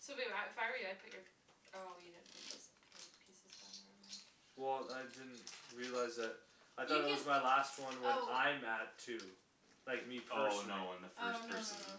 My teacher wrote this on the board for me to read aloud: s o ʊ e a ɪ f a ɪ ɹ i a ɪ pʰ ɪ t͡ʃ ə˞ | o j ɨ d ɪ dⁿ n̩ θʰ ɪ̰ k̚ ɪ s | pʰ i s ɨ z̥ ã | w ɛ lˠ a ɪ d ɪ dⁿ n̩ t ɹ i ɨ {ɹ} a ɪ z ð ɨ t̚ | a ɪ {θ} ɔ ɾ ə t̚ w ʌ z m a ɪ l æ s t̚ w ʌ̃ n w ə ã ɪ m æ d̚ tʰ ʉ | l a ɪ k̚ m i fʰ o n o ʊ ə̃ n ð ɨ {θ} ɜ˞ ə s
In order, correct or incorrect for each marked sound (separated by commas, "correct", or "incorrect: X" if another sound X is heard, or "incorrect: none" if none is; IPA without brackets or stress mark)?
incorrect: l, correct, incorrect: f